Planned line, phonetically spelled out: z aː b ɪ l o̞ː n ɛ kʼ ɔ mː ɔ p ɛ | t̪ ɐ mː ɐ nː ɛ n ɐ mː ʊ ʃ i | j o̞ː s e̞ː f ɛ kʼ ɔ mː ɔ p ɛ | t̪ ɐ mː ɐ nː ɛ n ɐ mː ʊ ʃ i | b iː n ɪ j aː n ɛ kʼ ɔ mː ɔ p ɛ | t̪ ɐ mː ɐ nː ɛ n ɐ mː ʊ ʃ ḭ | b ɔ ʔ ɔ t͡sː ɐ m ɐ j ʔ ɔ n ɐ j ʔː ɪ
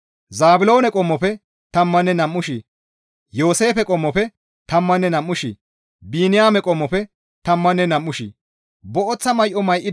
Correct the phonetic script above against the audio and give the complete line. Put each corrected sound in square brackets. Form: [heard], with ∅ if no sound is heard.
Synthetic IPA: z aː b ɪ l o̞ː n ɛ kʼ ɔ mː ɔ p ɛ | t̪ ɐ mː ɐ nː ɛ n ɐ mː ʊ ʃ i | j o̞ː s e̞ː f ɛ kʼ ɔ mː ɔ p ɛ | t̪ ɐ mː ɐ nː ɛ n ɐ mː ʊ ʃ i | b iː n ɪ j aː [m] ɛ kʼ ɔ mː ɔ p ɛ | t̪ ɐ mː ɐ nː ɛ n ɐ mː ʊ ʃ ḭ | b ɔ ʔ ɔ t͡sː ɐ m ɐ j ʔ ɔ [m] ɐ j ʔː ɪ